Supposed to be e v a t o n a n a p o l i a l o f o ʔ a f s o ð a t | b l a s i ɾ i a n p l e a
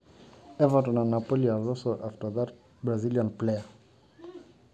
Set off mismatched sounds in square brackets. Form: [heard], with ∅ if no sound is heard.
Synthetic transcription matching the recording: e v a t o n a n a p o l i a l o [s] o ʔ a f [t] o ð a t | b [ɾ] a [z] i [l] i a n p l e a